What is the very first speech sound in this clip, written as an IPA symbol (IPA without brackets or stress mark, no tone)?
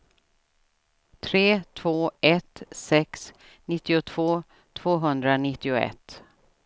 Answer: t̪ʰ